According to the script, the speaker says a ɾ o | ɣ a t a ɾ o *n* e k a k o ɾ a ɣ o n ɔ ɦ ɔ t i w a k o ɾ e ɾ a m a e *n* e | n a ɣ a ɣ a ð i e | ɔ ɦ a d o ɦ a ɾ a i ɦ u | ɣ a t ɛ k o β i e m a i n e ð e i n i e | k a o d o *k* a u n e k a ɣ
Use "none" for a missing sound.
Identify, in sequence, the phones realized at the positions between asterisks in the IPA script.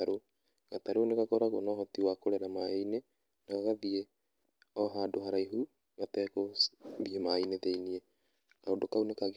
n, n, k

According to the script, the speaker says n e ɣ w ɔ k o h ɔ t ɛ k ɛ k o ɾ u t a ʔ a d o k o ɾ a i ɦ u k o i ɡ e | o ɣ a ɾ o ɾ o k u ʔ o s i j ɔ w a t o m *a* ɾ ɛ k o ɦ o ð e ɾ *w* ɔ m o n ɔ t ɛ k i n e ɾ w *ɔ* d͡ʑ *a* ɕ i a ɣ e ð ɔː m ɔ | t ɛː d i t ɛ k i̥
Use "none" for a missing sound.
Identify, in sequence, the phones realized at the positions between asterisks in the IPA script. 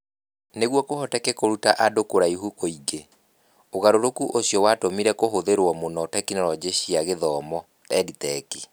i, w, ɔ, e

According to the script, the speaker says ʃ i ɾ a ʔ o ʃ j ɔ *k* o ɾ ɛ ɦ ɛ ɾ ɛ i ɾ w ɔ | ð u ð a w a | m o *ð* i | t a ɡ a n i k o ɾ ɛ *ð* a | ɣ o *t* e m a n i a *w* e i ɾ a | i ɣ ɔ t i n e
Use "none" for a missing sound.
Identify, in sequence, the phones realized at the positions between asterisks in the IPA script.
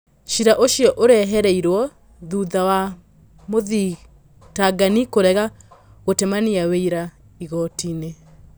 ʔ, ð, ɣ, t, w

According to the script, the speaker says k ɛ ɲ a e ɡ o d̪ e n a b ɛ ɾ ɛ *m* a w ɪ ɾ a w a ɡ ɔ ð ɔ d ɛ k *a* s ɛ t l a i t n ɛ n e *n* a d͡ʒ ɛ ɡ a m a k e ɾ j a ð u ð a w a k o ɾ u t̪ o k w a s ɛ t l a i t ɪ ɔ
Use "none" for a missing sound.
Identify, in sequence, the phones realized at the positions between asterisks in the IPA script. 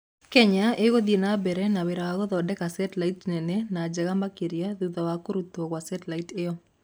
n, a, n

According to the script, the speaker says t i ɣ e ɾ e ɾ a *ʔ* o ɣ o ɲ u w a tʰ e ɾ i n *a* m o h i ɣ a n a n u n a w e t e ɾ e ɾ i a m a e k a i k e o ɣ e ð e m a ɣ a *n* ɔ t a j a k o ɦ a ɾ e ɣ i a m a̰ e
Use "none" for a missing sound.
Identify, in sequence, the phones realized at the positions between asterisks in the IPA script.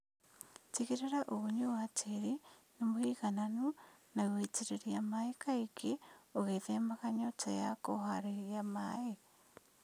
ʔ, e, ɲ

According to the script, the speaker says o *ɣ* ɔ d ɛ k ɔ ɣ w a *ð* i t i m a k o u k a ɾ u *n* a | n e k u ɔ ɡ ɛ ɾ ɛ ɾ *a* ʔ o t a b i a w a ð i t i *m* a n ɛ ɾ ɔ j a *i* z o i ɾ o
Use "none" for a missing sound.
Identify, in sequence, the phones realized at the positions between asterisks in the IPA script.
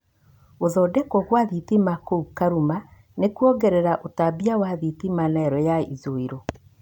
ð, ð, m, a, m, i

